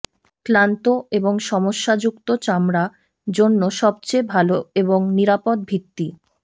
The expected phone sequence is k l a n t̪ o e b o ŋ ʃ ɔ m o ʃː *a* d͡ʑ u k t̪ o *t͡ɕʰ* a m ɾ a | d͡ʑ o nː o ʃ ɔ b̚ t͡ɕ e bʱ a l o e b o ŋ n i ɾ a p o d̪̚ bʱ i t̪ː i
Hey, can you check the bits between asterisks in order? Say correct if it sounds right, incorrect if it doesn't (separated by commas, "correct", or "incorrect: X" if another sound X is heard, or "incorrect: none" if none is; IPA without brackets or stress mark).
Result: correct, incorrect: t͡ɕ